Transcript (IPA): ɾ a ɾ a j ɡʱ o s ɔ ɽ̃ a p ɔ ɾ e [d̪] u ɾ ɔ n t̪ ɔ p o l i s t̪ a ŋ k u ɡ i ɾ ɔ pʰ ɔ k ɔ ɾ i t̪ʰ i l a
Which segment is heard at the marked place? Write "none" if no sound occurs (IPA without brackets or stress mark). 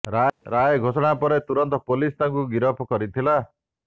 t̪